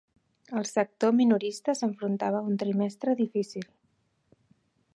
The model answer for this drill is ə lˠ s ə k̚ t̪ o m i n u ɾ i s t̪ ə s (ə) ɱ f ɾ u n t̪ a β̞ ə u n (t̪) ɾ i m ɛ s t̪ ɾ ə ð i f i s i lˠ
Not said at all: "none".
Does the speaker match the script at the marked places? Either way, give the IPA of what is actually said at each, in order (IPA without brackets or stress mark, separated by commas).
ə, t̪